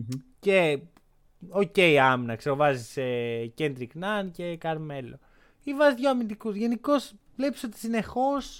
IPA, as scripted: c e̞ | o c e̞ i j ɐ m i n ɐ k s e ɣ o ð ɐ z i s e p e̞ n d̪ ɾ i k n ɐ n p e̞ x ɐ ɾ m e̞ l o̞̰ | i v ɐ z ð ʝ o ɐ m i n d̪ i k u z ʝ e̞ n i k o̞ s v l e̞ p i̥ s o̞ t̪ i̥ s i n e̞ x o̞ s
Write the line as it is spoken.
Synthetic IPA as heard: c e̞ | o c e̞ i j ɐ m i n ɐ k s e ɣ o v ɐ z i s e c e̞ n d̪ ɾ i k n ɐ n c e̞ k ɐ ɾ m e̞ l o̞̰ | i v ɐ z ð ʝ o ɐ m i n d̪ i k u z ʝ e̞ n i k o̞ s v l e̞ p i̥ s o̞ t̪ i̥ s i n e̞ x o̞ s